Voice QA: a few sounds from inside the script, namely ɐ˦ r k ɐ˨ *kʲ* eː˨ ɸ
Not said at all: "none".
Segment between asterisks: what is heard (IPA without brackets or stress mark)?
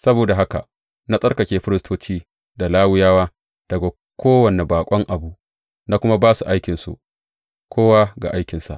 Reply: kʲ